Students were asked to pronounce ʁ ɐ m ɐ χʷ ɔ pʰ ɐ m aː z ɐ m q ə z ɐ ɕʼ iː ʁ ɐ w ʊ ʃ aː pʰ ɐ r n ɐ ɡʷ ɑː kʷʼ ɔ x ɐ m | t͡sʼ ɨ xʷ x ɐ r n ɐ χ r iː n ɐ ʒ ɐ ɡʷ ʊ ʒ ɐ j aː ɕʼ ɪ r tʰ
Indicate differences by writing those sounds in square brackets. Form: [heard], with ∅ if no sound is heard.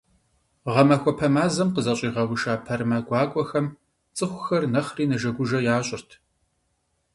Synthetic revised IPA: ʁ ɐ m ɐ [xʷ] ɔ pʰ ɐ m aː z ɐ m q ə z ɐ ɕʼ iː ʁ ɐ w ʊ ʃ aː pʰ ɐ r [m] ɐ ɡʷ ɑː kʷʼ ɔ x ɐ m | t͡sʼ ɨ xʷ x ɐ r n ɐ χ r iː n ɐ ʒ ɐ ɡʷ ʊ ʒ ɐ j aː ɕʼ ɪ r tʰ